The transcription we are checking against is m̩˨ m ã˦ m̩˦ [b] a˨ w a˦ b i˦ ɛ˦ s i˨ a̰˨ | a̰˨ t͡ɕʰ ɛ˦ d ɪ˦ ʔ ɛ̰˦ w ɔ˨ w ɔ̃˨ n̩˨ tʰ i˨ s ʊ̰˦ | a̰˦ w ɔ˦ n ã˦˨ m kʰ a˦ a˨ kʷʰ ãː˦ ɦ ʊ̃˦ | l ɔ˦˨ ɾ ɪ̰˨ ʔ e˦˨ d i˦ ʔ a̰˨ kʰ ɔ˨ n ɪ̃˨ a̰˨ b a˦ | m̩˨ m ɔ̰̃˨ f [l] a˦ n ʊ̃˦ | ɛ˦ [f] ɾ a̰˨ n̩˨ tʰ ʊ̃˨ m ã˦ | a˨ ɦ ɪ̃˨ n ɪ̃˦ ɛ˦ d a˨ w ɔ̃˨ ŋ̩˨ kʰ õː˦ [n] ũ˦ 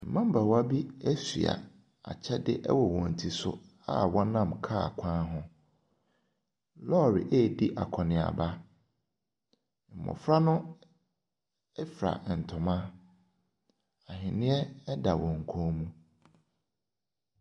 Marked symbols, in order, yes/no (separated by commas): yes, no, yes, no